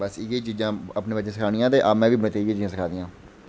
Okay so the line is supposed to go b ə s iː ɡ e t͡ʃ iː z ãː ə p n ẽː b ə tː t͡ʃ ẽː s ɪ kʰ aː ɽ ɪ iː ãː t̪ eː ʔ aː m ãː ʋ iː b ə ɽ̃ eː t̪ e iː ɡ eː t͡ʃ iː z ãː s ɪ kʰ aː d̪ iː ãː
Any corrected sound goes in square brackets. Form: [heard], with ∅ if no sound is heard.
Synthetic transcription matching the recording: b ə s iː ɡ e t͡ʃ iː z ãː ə p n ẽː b ə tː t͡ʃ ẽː s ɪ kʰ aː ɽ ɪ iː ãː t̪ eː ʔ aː m [ɛ̃ː] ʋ iː b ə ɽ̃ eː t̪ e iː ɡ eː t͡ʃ iː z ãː s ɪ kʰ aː d̪ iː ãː